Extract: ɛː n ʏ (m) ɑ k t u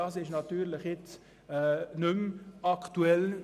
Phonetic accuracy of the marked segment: correct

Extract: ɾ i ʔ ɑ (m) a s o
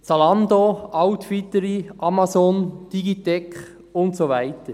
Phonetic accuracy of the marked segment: correct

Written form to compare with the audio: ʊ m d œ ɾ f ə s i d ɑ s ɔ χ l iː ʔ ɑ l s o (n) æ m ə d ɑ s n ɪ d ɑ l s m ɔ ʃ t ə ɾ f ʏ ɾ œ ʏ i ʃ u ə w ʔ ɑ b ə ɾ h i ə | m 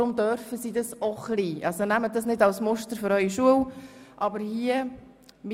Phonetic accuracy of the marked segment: correct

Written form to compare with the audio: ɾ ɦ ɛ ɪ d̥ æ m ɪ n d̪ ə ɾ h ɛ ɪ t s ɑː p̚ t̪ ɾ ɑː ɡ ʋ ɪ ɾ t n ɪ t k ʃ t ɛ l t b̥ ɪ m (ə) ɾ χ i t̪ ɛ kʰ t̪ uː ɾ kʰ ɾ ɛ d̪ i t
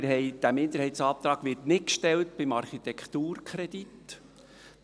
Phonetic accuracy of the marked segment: incorrect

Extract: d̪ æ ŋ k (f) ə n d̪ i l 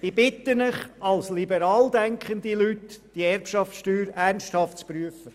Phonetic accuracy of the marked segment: incorrect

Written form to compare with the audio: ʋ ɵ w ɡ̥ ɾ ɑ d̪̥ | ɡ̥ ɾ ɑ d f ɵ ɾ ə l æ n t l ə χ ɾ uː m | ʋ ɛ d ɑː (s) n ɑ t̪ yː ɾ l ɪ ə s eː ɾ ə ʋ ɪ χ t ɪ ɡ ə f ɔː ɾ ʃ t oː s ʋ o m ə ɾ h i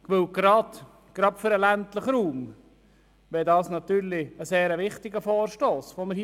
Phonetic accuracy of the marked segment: correct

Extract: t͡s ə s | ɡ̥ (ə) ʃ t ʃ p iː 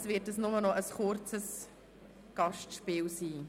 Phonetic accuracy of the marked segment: incorrect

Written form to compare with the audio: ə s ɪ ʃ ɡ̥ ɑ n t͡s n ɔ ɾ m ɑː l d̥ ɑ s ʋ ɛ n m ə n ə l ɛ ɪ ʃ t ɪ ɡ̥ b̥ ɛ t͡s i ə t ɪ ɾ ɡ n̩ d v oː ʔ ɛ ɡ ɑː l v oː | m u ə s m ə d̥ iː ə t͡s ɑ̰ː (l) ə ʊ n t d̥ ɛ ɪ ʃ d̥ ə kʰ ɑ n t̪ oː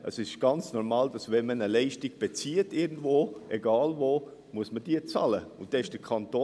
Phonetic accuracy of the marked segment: correct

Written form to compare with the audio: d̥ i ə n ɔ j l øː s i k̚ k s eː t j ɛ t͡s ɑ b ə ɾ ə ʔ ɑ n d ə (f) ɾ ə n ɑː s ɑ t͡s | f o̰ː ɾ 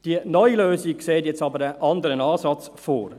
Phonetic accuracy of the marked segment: incorrect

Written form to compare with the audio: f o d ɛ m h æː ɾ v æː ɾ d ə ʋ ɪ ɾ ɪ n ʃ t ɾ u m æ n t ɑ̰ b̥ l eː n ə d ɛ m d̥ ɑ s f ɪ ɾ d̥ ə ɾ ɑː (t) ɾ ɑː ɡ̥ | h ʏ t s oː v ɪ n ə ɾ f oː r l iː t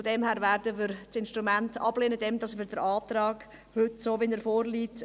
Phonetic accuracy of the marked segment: correct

